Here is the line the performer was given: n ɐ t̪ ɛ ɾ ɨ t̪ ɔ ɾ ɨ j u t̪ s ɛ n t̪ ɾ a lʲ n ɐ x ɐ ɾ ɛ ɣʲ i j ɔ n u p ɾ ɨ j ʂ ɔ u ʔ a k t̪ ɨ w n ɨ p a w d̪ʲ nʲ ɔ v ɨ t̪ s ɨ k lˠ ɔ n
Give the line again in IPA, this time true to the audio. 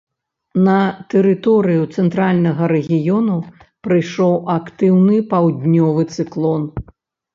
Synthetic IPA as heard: n ɐ t̪ ɛ ɾ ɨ t̪ ɔ ɾ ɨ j u t̪ s ɛ n t̪ ɾ a lʲ n ɐ ɣ ɐ ɾ ɛ ɣʲ i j ɔ n u p ɾ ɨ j ʂ ɔ w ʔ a k t̪ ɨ w n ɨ p a w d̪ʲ nʲ ɔ v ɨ t̪ s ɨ k lˠ ɔ n